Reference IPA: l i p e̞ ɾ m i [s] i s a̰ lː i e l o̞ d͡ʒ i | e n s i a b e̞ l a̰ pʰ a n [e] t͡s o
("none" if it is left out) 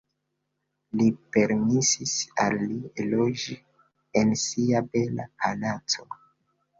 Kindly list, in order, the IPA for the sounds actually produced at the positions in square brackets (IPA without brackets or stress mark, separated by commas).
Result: s, a